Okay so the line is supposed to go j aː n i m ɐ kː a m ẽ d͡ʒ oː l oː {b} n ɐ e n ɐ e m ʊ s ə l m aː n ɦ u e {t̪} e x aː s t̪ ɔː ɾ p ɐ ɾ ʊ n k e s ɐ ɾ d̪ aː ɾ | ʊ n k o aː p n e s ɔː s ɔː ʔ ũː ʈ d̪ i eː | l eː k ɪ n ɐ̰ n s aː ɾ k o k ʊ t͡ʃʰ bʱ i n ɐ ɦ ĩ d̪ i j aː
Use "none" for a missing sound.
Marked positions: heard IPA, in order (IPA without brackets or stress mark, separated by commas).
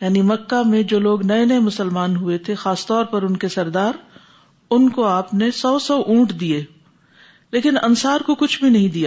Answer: ɡ, t̪ʰ